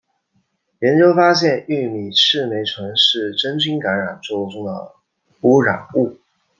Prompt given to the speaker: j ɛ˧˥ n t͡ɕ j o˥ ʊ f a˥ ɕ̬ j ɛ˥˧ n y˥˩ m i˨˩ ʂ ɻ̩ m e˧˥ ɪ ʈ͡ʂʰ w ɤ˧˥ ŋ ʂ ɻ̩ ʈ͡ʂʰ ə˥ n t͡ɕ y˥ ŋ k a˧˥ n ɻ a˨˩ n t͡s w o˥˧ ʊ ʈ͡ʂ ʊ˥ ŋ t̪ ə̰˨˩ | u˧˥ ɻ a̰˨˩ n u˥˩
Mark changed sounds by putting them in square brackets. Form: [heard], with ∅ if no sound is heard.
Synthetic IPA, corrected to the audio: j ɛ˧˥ n t͡ɕ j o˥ ʊ f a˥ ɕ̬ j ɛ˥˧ n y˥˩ m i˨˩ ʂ ɻ̩ m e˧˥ ɪ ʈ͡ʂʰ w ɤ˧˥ ŋ ʂ ɻ̩ [ʈ͡ʂ] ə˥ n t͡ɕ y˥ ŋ k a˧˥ n ɻ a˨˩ n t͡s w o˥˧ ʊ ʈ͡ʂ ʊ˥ ŋ [d̪] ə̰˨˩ | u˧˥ ɻ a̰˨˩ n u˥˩